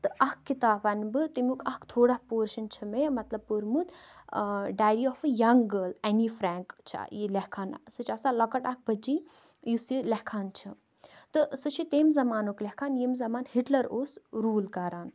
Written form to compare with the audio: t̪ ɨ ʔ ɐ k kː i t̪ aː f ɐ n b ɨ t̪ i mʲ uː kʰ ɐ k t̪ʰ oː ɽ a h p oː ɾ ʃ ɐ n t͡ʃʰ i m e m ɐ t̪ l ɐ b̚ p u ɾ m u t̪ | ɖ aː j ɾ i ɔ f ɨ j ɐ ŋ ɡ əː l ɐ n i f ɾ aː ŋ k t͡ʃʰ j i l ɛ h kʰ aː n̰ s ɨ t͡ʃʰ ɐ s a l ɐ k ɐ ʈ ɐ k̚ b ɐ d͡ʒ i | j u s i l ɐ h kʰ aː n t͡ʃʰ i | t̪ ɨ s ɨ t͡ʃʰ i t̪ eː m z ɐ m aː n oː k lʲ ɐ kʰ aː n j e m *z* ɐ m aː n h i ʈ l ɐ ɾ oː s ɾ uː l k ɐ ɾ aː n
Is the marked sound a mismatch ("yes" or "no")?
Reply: no